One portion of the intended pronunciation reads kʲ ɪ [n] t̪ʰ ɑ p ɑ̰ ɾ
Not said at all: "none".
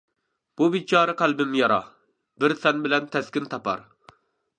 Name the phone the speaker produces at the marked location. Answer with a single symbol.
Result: n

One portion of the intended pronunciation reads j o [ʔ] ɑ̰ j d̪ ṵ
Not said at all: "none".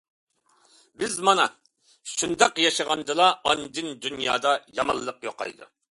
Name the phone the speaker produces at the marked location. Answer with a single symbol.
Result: q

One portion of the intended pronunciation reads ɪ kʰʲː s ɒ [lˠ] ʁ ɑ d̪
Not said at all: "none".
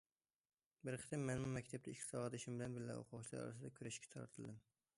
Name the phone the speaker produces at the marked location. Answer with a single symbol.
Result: none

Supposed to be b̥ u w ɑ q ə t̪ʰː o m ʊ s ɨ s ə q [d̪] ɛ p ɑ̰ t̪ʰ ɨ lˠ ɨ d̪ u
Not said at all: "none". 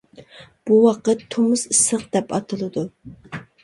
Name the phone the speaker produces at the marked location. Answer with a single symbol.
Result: d̪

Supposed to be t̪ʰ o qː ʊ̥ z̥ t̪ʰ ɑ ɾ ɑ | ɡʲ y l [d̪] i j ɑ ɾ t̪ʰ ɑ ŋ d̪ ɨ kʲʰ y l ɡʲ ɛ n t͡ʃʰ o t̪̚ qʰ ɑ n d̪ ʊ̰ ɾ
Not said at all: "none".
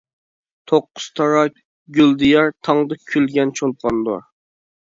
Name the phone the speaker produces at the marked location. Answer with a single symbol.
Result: d̪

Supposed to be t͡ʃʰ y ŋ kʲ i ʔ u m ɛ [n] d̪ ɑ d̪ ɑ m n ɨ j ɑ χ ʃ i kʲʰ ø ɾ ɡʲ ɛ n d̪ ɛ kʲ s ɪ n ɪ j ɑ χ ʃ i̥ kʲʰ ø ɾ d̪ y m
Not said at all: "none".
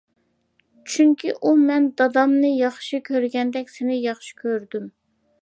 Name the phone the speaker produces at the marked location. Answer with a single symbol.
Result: n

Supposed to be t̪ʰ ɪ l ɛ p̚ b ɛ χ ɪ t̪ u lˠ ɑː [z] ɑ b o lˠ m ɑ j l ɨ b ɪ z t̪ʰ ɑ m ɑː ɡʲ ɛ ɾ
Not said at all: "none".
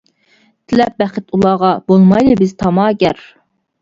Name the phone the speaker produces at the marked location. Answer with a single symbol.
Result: ʁ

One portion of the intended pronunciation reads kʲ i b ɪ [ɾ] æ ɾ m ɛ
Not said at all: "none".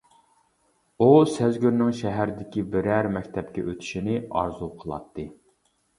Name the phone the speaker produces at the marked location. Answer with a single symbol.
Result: ɾ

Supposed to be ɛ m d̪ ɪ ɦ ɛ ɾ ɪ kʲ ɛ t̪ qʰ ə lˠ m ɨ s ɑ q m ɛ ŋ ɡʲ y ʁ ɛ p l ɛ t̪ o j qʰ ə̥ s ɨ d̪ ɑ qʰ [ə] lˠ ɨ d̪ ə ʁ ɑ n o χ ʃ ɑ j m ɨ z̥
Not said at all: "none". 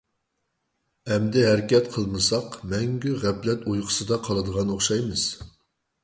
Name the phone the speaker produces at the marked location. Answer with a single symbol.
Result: ɑ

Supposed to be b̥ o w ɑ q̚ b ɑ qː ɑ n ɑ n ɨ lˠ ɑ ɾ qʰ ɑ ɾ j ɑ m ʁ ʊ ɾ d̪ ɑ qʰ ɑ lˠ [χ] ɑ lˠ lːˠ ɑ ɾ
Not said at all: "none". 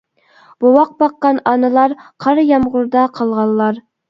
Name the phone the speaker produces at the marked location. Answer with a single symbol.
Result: ʁ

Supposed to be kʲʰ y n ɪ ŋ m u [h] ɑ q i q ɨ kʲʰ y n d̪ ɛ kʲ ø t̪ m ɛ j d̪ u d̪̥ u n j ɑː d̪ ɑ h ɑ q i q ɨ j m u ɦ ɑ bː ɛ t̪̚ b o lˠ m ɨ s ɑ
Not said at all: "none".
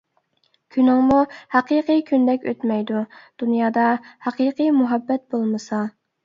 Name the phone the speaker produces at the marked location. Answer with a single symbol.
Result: h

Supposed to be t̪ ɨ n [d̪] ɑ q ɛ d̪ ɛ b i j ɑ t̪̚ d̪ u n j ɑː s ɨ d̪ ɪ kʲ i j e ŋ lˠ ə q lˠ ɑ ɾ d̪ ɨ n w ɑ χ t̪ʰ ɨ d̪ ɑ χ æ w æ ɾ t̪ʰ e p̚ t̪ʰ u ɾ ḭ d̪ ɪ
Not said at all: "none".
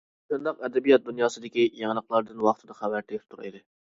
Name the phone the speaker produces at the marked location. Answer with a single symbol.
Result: d̪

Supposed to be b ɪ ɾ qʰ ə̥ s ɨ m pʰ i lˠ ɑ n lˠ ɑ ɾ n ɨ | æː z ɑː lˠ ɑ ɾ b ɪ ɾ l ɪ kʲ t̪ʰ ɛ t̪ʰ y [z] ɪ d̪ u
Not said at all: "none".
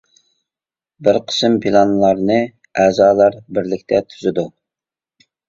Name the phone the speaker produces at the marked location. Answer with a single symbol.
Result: z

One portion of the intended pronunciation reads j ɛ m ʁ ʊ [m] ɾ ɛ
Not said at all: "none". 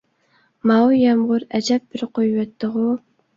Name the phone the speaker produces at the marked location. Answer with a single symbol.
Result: none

